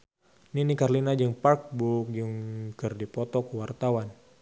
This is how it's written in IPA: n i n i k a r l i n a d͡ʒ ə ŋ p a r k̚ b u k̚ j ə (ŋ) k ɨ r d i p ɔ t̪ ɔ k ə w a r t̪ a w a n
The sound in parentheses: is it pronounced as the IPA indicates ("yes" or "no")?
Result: yes